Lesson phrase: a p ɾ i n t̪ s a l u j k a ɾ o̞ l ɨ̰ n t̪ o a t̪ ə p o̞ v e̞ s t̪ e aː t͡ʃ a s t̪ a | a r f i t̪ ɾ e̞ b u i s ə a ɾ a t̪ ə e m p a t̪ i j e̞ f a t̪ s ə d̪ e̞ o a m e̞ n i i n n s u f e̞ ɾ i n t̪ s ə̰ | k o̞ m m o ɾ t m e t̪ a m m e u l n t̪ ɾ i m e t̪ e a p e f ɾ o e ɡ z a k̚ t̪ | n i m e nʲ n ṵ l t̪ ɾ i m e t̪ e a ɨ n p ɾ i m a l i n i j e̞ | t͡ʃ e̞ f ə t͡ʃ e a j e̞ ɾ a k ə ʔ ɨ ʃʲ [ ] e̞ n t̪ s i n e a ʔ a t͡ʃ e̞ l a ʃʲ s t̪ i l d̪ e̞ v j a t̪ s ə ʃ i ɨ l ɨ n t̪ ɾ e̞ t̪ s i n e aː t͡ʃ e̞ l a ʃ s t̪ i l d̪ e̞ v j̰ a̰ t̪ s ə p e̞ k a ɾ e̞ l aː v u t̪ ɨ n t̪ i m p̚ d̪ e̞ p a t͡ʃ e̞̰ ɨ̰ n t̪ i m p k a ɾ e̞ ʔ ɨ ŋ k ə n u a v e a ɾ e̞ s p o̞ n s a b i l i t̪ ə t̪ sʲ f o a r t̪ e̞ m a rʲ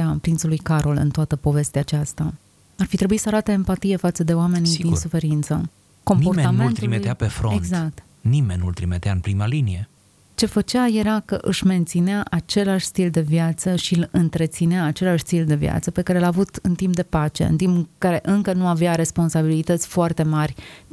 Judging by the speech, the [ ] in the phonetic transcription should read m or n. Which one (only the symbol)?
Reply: m